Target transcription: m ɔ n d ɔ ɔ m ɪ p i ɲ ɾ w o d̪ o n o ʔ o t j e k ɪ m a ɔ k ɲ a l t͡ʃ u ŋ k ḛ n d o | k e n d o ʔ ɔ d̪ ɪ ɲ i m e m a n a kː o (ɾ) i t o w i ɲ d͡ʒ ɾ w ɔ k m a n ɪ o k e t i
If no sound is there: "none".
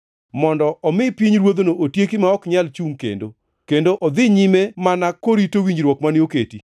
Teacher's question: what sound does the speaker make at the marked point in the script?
ɾ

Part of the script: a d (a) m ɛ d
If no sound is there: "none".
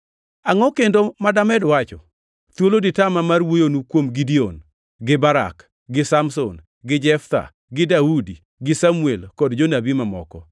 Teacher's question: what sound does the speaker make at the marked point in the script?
a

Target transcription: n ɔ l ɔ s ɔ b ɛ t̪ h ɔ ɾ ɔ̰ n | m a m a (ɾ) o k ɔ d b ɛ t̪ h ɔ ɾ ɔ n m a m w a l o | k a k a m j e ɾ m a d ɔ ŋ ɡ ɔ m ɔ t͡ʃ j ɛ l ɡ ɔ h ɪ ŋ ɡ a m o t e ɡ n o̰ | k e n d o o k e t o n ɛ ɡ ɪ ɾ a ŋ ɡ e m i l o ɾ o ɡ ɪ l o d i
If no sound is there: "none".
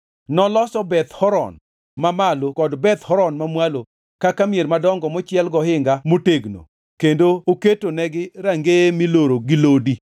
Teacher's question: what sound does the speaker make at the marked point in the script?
l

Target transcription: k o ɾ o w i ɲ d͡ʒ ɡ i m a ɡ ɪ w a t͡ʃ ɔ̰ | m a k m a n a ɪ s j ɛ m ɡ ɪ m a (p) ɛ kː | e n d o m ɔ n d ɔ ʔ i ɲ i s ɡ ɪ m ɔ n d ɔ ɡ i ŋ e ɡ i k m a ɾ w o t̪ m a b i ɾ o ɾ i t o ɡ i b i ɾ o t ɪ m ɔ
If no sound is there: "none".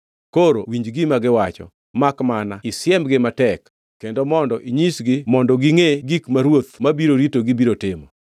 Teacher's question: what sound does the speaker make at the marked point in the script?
t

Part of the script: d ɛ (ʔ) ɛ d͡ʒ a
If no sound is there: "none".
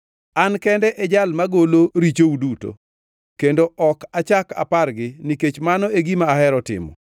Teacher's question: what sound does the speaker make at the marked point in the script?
ʔ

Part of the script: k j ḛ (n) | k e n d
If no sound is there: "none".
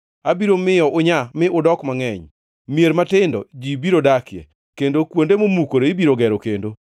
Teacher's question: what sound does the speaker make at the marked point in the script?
none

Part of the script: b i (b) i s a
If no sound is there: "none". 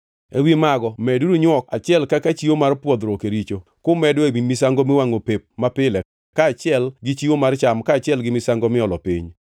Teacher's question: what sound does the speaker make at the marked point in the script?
m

